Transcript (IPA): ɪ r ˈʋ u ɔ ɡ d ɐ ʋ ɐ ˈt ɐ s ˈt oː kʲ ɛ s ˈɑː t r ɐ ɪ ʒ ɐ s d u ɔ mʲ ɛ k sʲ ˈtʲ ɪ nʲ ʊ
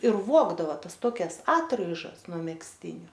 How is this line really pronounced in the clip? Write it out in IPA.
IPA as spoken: ɪ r ˈʋ u ɔ ɡ d ɐ ʋ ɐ ˈt ɐ s ˈt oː kʲ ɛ s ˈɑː t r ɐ ɪ ʒ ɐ s n u ɔ mʲ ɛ k sʲ ˈtʲ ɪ nʲ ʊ